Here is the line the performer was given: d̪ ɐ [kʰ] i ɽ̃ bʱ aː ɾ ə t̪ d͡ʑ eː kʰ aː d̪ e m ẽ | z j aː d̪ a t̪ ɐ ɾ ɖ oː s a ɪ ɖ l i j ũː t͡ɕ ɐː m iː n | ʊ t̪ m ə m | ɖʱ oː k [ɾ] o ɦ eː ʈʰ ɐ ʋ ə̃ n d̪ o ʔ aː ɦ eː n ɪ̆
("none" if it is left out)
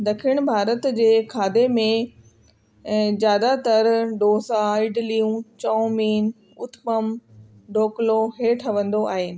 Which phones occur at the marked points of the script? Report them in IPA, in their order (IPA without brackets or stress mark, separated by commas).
kʰ, l